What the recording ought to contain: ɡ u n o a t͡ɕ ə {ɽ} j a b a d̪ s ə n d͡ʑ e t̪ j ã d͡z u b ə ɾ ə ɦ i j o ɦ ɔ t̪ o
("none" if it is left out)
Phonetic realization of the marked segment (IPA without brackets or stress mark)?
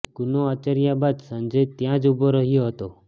ɾ